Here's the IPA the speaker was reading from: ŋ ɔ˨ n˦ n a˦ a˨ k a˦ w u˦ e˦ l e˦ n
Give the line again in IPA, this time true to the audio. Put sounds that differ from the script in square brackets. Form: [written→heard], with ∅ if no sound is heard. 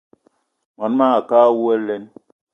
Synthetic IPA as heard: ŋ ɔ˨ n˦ [n→m] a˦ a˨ k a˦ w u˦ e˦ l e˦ n